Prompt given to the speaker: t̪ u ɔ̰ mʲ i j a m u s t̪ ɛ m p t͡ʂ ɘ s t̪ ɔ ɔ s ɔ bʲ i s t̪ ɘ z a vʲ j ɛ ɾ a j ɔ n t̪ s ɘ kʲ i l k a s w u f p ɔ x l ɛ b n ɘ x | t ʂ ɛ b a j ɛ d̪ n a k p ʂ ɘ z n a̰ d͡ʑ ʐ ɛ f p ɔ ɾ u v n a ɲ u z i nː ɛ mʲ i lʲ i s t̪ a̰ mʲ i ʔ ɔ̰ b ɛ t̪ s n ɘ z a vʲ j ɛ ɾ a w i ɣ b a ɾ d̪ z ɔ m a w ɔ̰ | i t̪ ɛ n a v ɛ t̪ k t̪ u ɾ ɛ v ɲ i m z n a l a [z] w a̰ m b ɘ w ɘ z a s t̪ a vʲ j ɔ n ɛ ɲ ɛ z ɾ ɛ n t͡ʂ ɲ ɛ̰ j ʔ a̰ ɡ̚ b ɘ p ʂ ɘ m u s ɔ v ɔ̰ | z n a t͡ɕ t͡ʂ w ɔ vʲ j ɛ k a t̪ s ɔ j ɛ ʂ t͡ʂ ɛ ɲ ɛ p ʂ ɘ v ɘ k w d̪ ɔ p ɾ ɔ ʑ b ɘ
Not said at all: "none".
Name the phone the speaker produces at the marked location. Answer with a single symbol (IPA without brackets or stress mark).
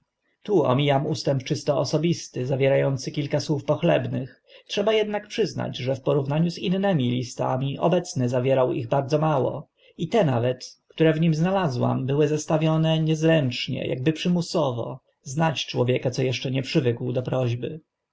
z